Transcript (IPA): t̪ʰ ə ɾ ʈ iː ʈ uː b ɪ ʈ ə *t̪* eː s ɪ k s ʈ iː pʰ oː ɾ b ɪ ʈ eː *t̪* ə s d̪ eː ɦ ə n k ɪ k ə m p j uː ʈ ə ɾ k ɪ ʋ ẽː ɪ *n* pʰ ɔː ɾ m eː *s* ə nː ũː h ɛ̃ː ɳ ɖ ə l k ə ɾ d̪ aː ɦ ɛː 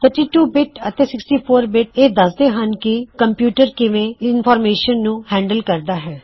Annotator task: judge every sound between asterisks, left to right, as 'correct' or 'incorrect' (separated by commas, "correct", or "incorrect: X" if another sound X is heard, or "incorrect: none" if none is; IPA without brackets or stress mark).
correct, incorrect: d̪, correct, incorrect: ʃ